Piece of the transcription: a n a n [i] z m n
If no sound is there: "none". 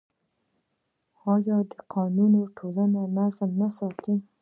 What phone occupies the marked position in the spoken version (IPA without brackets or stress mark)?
a